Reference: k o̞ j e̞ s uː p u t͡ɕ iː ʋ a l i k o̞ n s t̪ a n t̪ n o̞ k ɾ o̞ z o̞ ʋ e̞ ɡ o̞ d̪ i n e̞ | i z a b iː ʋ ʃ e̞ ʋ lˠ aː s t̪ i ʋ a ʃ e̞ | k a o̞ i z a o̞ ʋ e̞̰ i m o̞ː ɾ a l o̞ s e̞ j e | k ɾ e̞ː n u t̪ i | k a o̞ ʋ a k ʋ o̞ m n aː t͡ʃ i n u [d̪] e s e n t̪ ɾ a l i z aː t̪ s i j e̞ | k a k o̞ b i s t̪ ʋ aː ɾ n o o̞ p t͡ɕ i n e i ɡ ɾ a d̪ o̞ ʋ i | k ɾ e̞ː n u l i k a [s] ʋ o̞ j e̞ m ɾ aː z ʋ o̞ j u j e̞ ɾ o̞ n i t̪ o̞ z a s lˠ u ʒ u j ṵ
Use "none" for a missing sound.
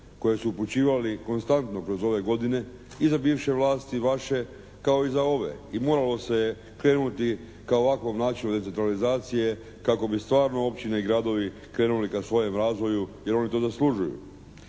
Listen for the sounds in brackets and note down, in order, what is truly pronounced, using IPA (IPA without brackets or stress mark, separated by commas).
d̪, s